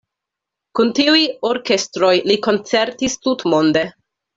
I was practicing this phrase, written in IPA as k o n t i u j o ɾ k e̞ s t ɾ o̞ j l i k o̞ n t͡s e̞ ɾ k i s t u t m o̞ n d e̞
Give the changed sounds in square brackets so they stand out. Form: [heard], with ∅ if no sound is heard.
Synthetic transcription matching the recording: k [u] n t i u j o ɾ k e̞ s t ɾ o̞ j l i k o̞ n t͡s e̞ ɾ [t] i s t u t m o̞ n d e̞